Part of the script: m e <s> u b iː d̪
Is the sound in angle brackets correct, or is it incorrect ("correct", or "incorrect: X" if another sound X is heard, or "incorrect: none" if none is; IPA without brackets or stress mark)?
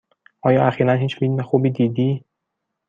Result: incorrect: x